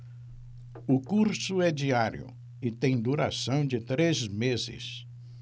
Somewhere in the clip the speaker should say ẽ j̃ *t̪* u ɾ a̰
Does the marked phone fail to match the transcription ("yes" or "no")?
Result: yes